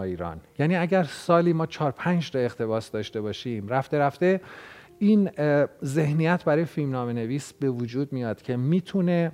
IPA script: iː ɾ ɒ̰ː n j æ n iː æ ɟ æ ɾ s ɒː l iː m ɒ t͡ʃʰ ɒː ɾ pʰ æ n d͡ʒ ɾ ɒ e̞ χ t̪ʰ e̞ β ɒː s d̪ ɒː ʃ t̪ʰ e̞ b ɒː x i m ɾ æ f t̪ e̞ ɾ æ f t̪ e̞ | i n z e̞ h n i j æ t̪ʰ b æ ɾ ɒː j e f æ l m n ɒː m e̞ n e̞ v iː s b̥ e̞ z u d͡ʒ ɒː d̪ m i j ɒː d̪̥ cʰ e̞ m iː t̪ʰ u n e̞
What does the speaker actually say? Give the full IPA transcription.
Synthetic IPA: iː ɾ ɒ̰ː n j æ n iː æ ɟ æ ɾ s ɒː l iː m ɒː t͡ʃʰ ɒː ɾ pʰ æ n d͡ʒ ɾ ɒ e̞ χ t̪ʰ e̞ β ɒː s d̪ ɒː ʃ t̪ e̞ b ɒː ʃ i m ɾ æ f t̪ e̞ ɾ æ f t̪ e̞ | i n z e̞ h n i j æ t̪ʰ b æ ɾ ɒː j e f i l m n ɒː m e̞ n e̞ v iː s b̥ e̞ v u d͡ʒ uː d̪ m i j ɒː d̪̥ cʰ e̞ m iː t̪ʰ u n e̞